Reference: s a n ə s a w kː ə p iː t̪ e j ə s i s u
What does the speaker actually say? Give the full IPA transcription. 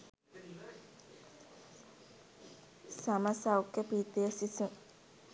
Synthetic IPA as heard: s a m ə s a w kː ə p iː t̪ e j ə s i s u

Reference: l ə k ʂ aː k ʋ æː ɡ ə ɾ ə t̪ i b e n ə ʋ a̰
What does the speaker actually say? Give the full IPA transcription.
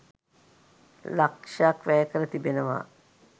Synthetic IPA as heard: l a k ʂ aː k ʋ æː k ə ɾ ə t̪ i b e n ə ʋ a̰

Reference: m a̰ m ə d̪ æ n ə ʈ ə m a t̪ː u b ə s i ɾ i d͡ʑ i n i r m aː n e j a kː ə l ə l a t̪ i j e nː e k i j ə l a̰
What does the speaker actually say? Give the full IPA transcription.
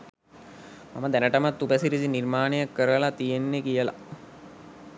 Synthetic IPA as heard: m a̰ m ə d̪ æ n ə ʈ ə m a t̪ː u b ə s i ɾ i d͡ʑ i n i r m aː n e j a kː ə ɾ ə l a t̪ i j e nː e k i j ə l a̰

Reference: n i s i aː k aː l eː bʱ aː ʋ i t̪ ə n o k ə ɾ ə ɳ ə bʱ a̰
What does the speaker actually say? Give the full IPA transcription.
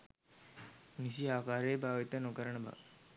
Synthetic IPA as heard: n i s i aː k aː ɾ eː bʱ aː ʋ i t̪ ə n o k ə ɾ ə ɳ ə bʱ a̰

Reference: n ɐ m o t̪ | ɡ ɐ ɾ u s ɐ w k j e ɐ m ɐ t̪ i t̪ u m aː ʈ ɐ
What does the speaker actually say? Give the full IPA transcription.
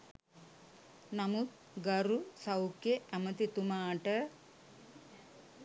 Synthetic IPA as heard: n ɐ m u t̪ | ɡ ɐ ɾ u s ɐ w k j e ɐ m ɐ t̪ i t̪ u m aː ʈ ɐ

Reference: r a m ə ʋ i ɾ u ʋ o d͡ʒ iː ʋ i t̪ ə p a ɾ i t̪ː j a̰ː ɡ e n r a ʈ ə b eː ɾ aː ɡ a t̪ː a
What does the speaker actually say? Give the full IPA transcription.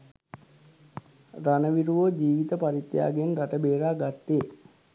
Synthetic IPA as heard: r a n ə ʋ i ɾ u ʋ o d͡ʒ iː ʋ i t̪ ə p a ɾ i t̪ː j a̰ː ɡ e n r a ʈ ə b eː ɾ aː ɡ a t̪ː e

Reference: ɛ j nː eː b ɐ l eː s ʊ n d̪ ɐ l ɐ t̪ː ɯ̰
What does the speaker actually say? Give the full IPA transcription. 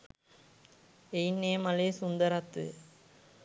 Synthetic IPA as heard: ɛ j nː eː m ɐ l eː s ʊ n d̪ ɐ ɾ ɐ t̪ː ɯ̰

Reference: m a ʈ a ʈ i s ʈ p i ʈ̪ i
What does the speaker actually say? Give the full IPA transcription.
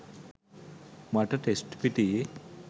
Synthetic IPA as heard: m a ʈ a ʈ e s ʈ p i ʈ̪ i

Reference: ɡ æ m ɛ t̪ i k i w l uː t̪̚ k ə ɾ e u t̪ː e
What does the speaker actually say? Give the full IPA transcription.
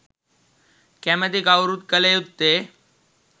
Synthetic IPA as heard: k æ m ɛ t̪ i k a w ɾ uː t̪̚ k ə l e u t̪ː e

